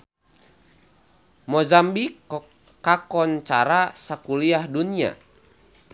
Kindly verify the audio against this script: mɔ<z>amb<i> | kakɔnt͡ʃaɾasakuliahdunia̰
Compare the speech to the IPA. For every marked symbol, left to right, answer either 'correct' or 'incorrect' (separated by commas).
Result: correct, correct